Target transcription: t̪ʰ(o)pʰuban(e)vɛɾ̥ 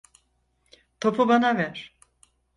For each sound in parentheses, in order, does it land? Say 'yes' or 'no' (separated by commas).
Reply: yes, no